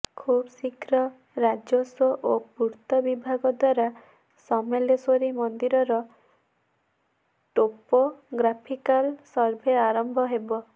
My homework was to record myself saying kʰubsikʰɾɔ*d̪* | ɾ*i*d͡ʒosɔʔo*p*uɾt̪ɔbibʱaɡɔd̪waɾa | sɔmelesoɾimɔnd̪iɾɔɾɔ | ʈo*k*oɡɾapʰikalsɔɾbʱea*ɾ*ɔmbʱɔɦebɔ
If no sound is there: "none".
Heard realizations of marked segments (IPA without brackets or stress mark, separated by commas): none, a, p, p, ɾ